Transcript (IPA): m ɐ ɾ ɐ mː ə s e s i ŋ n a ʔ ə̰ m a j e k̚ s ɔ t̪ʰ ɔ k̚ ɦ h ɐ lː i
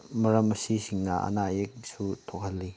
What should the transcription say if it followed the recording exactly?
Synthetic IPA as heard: m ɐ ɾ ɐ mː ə s i s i ŋ n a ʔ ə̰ n a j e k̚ s u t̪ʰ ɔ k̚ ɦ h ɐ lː i